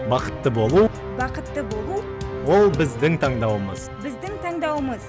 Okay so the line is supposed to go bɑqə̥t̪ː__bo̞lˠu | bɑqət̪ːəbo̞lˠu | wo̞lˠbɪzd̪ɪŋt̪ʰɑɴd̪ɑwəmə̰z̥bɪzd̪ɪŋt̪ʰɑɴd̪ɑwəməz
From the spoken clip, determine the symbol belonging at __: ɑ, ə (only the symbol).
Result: ə